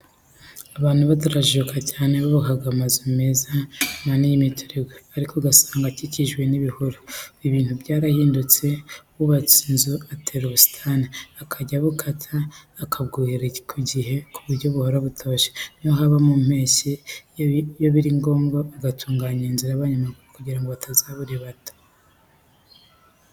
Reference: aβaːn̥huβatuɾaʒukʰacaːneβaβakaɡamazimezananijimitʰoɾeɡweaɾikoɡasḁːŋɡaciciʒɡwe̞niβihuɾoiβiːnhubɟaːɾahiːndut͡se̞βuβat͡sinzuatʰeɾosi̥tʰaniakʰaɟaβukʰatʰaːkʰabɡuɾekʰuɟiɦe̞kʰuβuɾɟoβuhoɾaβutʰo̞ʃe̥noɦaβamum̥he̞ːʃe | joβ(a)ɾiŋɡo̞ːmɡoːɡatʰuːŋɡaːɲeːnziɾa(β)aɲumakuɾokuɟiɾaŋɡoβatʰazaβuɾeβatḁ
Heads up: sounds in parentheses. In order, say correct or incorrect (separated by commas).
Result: incorrect, correct